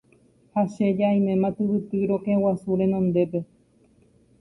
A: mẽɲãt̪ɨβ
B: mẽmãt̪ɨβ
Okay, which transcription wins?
B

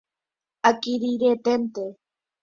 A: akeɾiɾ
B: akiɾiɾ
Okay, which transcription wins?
B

